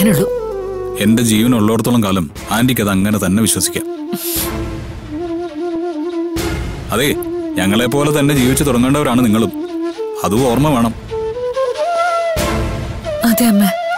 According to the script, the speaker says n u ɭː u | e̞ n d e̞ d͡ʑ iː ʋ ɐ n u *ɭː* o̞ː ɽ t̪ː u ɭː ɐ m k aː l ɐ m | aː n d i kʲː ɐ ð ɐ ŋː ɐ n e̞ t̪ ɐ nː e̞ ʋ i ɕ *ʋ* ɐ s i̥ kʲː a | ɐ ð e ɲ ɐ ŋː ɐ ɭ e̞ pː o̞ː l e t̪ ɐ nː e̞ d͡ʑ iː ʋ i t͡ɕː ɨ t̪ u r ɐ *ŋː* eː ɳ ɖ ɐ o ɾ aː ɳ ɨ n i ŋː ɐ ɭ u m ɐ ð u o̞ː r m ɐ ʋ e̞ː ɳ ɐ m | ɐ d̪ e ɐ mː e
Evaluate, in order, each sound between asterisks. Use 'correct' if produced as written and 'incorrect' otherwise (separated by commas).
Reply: correct, incorrect, correct